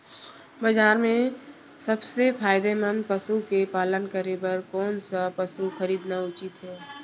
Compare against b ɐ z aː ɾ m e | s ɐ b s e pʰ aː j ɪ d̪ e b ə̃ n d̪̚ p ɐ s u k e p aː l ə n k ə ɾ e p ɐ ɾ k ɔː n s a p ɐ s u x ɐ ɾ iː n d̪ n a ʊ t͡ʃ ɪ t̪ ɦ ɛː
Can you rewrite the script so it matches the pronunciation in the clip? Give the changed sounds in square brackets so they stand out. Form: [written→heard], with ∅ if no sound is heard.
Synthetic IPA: b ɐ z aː ɾ m [e→ẽ] | s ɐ b s e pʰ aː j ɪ d̪ e [b→m] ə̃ n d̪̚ p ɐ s u k e p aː l ə n k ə ɾ e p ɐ ɾ k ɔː n s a p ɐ s u x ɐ ɾ iː [n→∅] d̪ n a ʊ t͡ʃ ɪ t̪ ɦ ɛː